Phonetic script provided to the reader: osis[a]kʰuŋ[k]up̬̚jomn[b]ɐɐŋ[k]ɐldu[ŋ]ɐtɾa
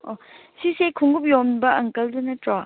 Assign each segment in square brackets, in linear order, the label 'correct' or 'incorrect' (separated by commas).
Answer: incorrect, incorrect, correct, correct, incorrect